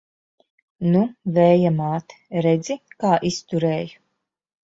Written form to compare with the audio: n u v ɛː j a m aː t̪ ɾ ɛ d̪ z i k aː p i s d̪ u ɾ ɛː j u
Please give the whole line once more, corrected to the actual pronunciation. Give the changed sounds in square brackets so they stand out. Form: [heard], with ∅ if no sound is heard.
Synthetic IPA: n u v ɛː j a m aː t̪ ɾ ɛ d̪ z i k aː [ʔ] i s [t̪] u ɾ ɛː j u